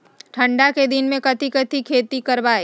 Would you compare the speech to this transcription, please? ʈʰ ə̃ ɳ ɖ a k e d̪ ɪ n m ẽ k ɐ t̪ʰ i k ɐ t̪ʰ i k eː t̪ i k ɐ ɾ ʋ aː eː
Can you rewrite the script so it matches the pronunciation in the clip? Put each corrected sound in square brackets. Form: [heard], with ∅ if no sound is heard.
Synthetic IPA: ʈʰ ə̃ ɳ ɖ a k e d̪ ɪ n m ẽ k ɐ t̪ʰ i k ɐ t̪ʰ i [kʰ] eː t̪ i k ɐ ɾ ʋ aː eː